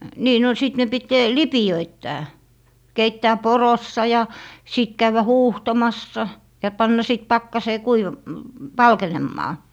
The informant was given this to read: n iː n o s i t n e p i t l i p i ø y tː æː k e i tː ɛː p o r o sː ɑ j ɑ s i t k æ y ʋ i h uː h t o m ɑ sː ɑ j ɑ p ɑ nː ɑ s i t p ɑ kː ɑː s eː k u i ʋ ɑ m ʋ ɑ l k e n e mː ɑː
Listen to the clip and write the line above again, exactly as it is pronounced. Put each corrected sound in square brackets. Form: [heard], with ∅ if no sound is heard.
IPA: n iː n o s i t n e p i t l i p i ø [i] tː æː k e i tː [æː] p o r o sː ɑ j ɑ s i t k æ y ʋ [æ] h uː h t o m ɑ sː ɑ j ɑ p ɑ nː ɑ s i t p ɑ kː [ɑ] s eː k u i ʋ ɑ m ʋ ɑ l k e n e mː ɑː